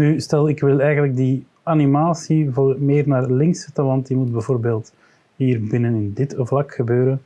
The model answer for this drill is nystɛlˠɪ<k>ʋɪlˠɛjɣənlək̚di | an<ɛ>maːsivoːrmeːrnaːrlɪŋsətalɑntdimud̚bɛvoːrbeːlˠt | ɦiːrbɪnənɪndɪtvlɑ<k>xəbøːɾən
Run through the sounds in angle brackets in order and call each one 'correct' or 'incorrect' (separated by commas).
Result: correct, incorrect, correct